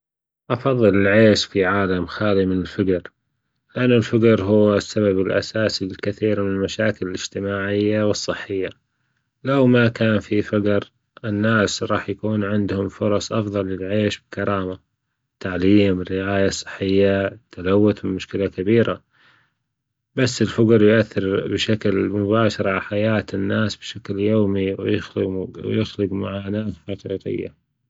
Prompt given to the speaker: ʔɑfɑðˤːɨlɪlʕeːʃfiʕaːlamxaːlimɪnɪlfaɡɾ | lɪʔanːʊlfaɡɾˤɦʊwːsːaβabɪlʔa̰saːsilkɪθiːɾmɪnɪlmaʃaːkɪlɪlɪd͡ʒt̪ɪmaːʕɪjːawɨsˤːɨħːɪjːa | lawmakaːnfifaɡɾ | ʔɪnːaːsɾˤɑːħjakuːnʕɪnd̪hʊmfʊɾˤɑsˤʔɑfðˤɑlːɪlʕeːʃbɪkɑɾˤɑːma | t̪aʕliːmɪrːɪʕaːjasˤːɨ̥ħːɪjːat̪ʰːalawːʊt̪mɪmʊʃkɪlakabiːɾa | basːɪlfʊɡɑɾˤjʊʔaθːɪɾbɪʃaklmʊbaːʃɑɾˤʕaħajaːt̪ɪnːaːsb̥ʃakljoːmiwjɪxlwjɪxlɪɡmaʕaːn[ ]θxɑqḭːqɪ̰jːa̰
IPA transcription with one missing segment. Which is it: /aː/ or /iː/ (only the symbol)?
aː